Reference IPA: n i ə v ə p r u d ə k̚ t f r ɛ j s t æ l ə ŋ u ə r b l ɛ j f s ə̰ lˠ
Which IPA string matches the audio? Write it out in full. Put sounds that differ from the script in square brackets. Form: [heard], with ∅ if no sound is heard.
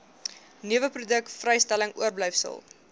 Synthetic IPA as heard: n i ə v ə p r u d ə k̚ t f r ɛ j s t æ l ə ŋ u ə r b l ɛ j f s ə̰ lˠ